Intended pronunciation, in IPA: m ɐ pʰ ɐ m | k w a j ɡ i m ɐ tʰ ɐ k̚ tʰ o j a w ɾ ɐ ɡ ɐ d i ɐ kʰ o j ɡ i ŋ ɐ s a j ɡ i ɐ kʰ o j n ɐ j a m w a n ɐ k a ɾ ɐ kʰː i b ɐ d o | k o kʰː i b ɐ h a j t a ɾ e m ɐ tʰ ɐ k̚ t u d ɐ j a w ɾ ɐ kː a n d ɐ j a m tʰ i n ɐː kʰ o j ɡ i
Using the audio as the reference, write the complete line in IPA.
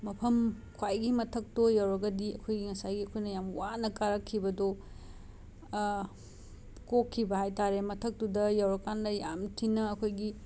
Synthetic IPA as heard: m ɐ pʰ ɐ m | kʰ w a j ɡ i m ɐ tʰ ɐ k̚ t o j a w ɾ ɐ ɡ ɐ d i ɐ kʰ o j ɡ i ŋ ɐ s a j ɡ i ɐ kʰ o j n ɐ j a m w a n ɐ k a ɾ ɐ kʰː i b ɐ d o | k o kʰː i b ɐ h a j t a ɾ e m ɐ tʰ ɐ k̚ t u d ɐ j a w ɾ ɐ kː a n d ɐ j a m tʰ i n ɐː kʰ o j ɡ i

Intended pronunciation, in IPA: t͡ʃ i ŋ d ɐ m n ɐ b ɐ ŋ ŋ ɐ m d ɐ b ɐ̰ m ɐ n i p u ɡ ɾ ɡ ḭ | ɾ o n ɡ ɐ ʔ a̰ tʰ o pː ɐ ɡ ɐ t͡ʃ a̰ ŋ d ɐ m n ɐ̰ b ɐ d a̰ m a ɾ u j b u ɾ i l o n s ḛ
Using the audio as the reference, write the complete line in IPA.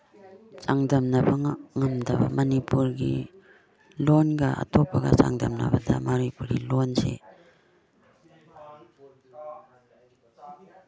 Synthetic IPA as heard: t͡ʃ a ŋ d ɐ m n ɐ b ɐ ŋ ŋ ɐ m d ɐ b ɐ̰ m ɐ n i p u ɾ ɡ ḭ | l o n ɡ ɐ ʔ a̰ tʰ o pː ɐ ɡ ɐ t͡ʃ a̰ ŋ d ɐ m n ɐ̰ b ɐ d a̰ m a ɾ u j p u ɾ i l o n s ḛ

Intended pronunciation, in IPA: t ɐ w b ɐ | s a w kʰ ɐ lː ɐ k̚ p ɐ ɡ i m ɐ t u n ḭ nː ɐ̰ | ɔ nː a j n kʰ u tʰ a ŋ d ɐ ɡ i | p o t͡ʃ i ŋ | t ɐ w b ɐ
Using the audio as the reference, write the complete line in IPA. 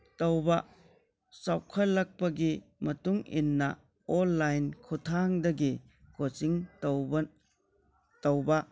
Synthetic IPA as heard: t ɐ w b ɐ | s a w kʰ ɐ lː ɐ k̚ p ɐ ɡ i m ɐ t u ŋ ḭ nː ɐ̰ | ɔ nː a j n kʰ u tʰ a ŋ d ɐ ɡ i | k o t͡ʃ i ŋ | t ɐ w b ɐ

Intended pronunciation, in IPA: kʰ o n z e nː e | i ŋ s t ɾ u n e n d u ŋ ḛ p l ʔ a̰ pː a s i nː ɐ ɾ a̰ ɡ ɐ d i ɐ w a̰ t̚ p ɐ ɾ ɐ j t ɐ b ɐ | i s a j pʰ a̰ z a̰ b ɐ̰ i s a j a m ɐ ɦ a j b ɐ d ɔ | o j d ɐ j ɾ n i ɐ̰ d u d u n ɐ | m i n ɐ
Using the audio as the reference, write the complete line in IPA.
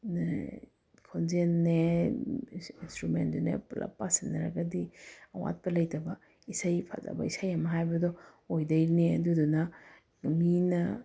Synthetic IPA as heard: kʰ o n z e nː e | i n s t ɾ u m e n d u n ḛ p l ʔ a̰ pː a s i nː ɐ ɾ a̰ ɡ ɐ d i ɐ w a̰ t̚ p ɐ l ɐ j t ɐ b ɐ | i s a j pʰ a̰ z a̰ b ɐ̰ i s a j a m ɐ ɦ a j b ɐ d ɔ | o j d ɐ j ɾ n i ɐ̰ d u d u n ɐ | m i n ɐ

